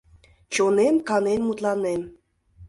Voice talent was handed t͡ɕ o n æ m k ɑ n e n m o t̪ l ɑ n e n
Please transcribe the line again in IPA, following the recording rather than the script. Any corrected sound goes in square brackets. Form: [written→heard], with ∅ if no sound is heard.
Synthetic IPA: t͡ɕ o n [æ→e] m k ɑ n e n m [o→u] t̪ l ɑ n e [n→m]